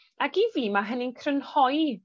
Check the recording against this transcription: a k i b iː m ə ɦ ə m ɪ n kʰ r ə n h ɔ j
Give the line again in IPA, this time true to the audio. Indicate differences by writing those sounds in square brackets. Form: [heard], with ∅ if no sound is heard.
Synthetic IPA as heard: a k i [v] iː m [a] ɦ ə [n] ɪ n kʰ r ə n h ɔ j